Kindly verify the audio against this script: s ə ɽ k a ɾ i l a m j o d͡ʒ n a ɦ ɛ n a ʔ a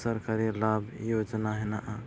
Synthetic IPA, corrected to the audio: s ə ɾ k a ɾ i l a b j o d͡ʒ n a ɦ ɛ n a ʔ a